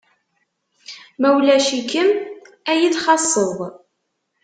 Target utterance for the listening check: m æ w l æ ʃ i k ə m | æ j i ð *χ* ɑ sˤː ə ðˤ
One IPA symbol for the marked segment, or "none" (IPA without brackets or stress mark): χ